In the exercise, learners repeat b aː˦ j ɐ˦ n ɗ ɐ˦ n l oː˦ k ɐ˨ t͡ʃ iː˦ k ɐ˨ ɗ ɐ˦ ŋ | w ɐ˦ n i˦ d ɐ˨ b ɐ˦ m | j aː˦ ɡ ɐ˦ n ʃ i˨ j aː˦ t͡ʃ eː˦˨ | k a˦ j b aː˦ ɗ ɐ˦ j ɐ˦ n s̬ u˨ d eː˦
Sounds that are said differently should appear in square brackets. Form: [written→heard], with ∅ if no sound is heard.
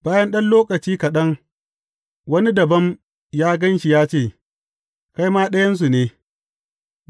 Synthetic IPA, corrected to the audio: b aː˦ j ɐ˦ n ɗ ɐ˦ n l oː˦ k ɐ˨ t͡ʃ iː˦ k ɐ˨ ɗ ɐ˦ ŋ | w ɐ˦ n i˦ d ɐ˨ b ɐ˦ m | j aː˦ ɡ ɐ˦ n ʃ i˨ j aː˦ t͡ʃ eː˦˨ | k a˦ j [b→m] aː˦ ɗ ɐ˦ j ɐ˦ n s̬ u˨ [d→n] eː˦